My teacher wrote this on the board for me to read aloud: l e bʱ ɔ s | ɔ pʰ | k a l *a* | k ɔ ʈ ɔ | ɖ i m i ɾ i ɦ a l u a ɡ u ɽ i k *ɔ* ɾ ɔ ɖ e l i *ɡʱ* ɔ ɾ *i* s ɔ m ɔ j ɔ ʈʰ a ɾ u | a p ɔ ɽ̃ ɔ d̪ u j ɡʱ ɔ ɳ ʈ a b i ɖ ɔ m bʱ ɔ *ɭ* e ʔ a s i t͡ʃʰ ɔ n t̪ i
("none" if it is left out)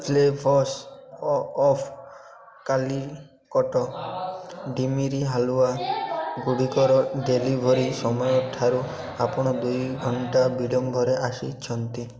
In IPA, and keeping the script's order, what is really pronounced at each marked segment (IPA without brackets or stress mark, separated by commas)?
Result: i, ɔ, bʱ, i, ɾ